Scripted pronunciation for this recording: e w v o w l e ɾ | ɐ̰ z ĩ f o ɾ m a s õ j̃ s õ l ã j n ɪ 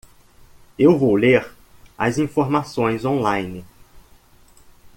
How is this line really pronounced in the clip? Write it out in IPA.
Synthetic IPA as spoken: e w v o w l e ɾ | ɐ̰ z ĩ f o ɾ m a s õ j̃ z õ l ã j n ɪ